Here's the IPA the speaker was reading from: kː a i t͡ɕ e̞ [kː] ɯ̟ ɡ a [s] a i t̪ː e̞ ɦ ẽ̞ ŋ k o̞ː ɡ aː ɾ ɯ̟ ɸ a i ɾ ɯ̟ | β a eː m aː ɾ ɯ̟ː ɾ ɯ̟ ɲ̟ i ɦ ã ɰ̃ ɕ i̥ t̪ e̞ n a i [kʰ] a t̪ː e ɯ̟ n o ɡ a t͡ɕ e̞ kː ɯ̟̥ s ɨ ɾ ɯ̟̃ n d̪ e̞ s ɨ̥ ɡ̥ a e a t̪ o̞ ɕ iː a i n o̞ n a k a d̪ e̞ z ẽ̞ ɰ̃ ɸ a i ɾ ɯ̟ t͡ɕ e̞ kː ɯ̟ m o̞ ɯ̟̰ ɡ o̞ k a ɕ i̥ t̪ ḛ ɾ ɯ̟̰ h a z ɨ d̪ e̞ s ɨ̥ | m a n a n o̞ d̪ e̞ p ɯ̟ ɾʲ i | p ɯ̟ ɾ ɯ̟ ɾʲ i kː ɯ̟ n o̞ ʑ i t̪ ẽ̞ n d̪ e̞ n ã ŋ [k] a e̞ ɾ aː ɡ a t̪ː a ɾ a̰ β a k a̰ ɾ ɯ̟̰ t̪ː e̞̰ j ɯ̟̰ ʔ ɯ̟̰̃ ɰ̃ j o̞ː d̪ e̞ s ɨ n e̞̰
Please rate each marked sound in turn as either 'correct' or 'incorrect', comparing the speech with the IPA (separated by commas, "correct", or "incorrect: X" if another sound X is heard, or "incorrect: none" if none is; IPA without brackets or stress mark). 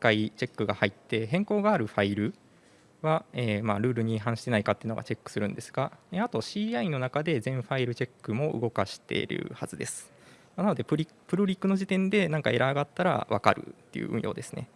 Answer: correct, incorrect: h, incorrect: k, correct